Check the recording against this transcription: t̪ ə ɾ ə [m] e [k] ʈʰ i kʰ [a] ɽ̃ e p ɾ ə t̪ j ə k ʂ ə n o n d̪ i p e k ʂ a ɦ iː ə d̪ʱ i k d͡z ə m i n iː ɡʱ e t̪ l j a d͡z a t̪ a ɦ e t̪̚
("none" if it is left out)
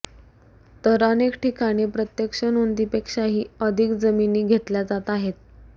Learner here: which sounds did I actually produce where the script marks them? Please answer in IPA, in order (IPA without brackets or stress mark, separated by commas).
n, k, a